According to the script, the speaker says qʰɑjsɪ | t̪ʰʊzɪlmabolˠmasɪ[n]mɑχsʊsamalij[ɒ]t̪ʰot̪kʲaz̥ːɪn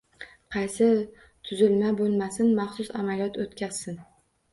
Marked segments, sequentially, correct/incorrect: correct, correct

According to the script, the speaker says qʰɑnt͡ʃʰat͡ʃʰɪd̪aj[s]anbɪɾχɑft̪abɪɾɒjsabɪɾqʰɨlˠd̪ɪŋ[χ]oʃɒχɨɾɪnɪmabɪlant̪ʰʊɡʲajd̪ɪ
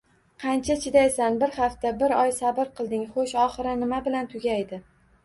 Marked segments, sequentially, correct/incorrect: correct, correct

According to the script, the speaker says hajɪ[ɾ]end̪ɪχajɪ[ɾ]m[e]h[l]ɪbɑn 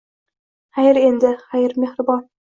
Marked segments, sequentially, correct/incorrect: correct, correct, correct, incorrect: ɾ

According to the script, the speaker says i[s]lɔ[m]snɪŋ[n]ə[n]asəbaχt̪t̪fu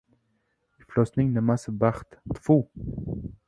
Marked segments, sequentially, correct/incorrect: incorrect: f, incorrect: none, correct, incorrect: m

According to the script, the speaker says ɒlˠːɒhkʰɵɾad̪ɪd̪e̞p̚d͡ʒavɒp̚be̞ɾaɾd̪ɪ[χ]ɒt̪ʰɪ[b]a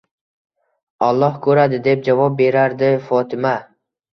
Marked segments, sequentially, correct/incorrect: incorrect: f, incorrect: m

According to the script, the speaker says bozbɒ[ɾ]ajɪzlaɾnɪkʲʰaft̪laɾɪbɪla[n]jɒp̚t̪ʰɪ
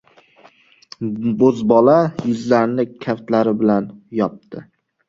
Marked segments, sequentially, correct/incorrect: incorrect: l, correct

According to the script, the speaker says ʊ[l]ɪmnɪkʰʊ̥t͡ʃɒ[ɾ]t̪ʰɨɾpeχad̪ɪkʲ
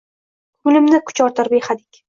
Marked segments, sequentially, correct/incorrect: correct, correct

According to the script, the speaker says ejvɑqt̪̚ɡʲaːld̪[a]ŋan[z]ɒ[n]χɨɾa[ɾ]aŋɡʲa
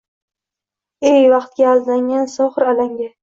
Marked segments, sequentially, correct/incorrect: correct, incorrect: s, incorrect: none, incorrect: l

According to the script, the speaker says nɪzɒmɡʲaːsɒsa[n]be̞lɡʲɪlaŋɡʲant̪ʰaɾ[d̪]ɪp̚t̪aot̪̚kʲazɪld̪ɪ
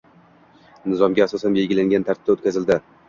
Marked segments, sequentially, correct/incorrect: correct, incorrect: t̪

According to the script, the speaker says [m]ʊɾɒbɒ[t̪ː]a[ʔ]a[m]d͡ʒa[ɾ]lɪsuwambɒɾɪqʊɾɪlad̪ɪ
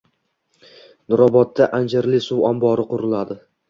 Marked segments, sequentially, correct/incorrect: incorrect: n, correct, correct, incorrect: n, correct

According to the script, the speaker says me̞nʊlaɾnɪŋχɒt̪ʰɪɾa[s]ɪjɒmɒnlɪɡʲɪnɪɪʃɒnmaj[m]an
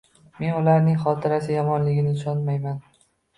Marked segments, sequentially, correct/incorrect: correct, correct

